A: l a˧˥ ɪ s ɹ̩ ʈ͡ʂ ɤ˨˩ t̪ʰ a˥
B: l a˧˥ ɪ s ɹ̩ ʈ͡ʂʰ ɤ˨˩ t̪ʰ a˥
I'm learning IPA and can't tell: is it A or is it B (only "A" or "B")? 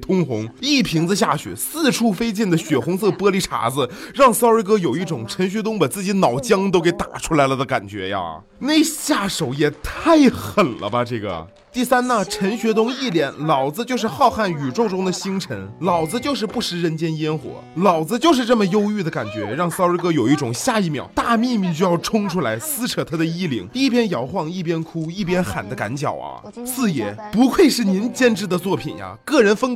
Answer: B